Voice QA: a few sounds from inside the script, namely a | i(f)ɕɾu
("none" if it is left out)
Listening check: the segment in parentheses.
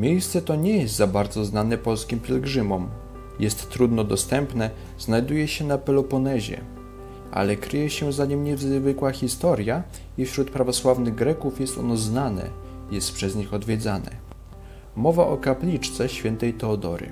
f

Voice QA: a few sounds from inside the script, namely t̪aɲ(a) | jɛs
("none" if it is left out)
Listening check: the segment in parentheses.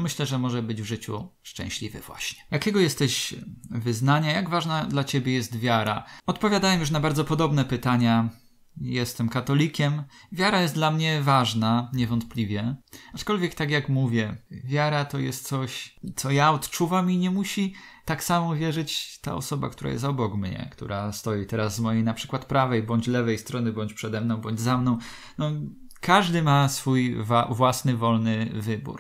a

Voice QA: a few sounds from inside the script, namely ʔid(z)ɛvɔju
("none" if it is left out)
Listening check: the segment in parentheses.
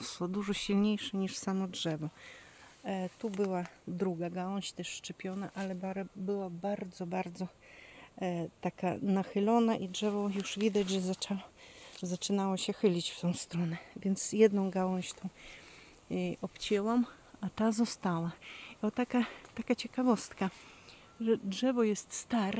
ʐ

